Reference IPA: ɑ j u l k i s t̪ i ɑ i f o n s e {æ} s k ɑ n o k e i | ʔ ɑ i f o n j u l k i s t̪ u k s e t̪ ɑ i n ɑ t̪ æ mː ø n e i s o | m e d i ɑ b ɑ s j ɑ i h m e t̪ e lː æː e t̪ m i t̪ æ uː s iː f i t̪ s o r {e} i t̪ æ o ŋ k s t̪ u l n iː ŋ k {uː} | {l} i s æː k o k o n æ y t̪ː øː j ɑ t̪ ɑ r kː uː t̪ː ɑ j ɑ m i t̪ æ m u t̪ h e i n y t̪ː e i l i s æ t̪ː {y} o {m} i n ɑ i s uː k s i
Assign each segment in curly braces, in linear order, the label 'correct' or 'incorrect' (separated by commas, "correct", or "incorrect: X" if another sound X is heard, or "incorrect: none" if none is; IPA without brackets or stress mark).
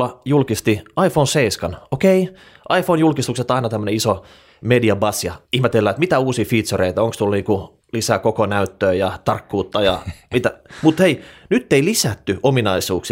incorrect: i, correct, incorrect: u, correct, correct, correct